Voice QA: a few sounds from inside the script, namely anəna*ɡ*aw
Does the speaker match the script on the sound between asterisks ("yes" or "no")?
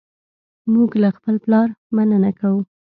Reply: no